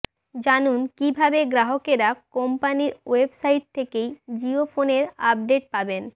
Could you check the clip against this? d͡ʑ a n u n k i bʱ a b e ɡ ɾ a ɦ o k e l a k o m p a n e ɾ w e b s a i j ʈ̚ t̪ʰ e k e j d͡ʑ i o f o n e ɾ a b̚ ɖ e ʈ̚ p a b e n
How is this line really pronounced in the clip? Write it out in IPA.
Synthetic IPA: d͡ʑ a n u n k i bʱ a b e ɡ ɾ a ɦ o k e ɾ a k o m p a n i ɾ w e b s a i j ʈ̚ t̪ʰ e k e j d͡ʑ i o f o n e ɾ a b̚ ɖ e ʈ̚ p a b e n